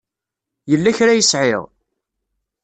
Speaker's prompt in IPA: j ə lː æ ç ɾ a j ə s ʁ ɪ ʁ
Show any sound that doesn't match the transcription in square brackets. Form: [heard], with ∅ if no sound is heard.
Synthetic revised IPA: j ə lː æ ç ɾ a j ə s [ʕ] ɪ ʁ